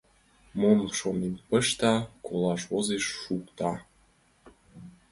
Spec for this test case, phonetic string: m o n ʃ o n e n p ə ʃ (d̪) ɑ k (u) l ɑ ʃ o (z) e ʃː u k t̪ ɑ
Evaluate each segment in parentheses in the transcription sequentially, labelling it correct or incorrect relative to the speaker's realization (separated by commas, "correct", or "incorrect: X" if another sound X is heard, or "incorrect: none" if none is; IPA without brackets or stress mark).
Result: incorrect: t̪, incorrect: o, correct